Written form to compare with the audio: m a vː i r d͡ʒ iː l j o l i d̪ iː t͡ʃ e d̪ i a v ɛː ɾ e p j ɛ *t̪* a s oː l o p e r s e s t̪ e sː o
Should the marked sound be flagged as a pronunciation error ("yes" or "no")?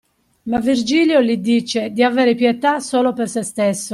no